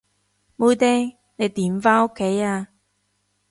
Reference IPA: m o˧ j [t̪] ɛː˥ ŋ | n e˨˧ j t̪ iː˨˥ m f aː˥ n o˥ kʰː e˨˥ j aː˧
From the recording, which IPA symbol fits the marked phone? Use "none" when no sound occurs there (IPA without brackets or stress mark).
t̪